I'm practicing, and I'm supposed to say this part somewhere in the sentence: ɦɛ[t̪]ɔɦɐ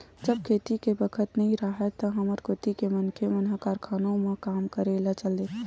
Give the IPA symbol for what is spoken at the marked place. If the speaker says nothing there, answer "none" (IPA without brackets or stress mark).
t̪